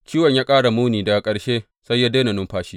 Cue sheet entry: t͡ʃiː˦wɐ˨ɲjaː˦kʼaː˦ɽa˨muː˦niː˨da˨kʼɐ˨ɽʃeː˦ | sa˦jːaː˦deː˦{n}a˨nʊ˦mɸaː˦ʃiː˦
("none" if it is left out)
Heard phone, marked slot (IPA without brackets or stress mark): n